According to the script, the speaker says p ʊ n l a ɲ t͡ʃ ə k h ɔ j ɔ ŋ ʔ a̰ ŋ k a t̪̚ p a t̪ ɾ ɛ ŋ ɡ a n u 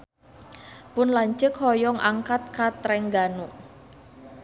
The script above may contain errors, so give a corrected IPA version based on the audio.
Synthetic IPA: p ʊ n l a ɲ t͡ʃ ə k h ɔ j ɔ ŋ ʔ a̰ ŋ k a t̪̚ k a t̪ ɾ ɛ ŋ ɡ a n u